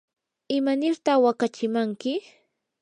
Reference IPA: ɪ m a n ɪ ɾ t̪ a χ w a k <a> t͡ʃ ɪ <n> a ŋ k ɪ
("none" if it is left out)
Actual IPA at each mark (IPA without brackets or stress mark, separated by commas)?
a, m